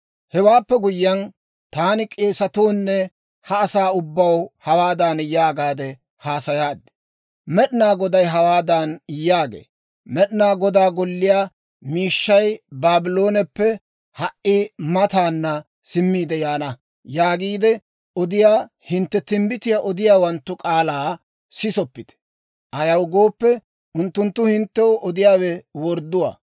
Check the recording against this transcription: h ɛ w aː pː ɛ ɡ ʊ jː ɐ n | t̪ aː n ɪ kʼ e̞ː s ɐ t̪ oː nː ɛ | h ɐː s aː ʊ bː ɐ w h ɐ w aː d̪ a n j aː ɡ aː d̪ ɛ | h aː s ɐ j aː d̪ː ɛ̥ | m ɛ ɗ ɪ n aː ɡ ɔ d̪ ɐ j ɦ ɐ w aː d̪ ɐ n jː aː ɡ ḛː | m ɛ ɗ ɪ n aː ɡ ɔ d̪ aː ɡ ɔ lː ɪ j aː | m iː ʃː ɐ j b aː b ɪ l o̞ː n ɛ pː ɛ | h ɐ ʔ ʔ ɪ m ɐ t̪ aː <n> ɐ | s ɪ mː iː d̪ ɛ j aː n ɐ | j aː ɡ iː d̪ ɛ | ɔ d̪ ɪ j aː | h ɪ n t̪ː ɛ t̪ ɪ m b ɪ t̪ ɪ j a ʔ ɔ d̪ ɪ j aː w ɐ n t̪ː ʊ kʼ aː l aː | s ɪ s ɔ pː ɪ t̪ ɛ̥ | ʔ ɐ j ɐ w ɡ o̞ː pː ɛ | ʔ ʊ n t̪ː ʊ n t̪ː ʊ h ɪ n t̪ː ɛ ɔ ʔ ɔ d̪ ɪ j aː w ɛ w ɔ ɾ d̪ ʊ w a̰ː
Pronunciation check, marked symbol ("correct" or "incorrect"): incorrect